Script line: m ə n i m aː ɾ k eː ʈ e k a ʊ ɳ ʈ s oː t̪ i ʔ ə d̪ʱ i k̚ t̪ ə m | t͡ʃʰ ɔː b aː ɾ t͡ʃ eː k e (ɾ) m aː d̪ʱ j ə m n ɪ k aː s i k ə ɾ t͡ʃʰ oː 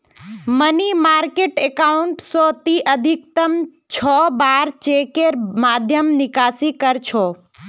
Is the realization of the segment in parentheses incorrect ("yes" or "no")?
no